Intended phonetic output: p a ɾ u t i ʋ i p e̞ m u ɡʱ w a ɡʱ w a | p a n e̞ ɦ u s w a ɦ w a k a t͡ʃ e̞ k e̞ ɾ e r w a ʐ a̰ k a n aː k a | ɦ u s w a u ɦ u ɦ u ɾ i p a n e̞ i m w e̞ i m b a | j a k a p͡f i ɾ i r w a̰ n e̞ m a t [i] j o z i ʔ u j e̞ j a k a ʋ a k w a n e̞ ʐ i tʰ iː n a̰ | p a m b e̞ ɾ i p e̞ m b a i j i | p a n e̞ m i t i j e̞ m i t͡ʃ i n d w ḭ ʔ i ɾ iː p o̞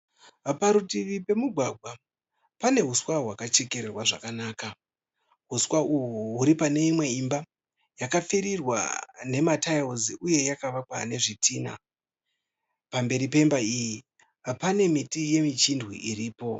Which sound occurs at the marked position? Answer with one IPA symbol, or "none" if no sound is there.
a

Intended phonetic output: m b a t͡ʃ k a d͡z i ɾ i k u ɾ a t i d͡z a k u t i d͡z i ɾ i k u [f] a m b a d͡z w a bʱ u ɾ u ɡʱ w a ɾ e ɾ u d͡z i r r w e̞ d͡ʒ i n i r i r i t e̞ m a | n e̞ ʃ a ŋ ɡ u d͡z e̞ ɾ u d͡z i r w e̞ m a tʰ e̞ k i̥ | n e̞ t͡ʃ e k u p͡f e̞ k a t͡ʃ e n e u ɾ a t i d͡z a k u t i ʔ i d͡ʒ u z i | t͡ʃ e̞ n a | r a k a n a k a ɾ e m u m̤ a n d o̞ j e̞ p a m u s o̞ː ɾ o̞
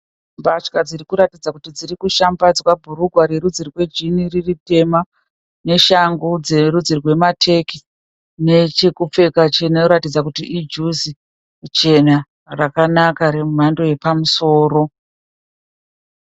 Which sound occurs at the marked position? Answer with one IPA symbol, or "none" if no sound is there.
ʃ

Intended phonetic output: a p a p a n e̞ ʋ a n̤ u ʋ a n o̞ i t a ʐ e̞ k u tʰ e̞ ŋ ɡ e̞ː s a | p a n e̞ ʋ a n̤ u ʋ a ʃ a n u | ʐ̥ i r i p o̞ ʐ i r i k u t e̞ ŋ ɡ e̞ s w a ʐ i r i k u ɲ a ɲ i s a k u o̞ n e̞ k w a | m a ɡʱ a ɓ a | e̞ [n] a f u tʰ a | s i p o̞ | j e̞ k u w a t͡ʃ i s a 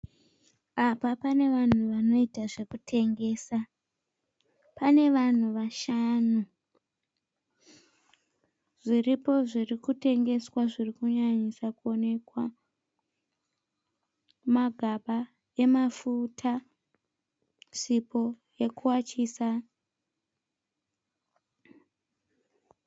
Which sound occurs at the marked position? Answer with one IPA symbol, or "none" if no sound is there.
m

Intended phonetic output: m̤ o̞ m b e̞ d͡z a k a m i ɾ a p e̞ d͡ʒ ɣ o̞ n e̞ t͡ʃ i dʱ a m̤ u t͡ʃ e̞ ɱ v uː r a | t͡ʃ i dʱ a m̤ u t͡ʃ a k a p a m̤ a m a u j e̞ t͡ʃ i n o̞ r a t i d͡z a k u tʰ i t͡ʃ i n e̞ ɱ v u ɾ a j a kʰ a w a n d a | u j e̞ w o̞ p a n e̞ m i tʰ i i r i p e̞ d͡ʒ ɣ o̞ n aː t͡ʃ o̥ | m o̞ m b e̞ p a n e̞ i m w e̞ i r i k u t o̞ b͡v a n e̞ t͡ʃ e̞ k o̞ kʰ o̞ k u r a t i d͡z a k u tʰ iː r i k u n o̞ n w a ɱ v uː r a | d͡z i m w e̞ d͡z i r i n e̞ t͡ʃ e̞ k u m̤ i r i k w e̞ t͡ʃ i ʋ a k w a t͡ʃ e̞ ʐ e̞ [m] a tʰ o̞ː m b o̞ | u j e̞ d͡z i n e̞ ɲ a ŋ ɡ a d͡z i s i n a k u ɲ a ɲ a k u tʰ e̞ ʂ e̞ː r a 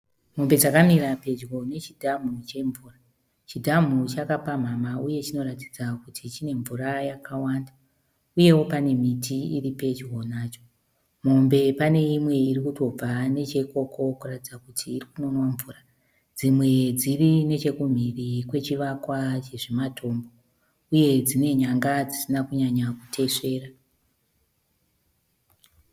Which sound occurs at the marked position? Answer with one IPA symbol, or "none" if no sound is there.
m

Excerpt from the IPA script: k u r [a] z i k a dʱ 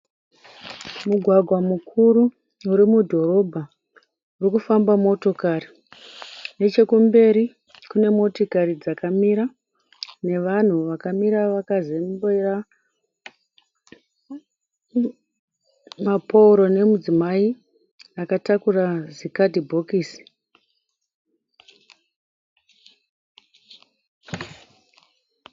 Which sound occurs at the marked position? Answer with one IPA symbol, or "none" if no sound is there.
a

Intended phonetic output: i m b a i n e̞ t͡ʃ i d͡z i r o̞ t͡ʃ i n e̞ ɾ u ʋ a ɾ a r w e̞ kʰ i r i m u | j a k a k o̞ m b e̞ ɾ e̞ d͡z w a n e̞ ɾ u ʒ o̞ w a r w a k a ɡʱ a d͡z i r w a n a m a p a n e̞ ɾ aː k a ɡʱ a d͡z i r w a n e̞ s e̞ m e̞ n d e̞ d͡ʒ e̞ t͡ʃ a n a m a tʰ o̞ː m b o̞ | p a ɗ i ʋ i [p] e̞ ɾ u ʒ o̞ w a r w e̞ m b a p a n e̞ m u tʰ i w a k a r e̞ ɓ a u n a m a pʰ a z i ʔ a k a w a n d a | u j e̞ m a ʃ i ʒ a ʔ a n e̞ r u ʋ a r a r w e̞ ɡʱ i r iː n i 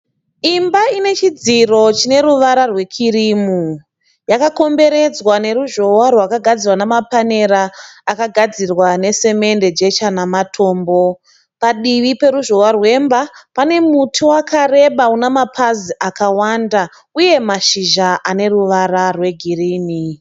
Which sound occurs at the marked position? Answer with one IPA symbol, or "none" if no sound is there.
p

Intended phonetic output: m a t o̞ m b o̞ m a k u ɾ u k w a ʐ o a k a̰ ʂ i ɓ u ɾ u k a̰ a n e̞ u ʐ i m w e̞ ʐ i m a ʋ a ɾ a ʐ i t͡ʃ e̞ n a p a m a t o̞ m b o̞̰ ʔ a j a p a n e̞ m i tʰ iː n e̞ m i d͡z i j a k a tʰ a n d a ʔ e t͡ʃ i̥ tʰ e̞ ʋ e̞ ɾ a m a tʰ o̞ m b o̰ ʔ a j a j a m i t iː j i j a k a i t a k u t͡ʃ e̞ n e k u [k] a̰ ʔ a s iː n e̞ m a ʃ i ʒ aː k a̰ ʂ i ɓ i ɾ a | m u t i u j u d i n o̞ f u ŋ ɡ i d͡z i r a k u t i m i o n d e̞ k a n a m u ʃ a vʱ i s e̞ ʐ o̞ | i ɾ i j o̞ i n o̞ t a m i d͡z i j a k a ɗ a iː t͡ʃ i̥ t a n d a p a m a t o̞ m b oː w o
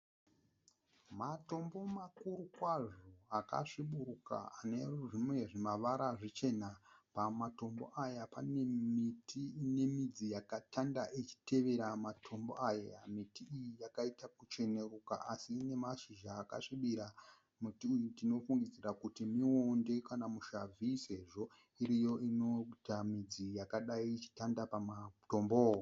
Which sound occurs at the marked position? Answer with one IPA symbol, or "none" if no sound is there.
k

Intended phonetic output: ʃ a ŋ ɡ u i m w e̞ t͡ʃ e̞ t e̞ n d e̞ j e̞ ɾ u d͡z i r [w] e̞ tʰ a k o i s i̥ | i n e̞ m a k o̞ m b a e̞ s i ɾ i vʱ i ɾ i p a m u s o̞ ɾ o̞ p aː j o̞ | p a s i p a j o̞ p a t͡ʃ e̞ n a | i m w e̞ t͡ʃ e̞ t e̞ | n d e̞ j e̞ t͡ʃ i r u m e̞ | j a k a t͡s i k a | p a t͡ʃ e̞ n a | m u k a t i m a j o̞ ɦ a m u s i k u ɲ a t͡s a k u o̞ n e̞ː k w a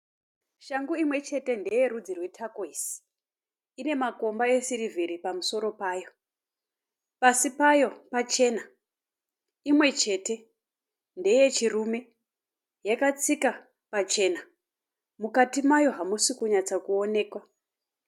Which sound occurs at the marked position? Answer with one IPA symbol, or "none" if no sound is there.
w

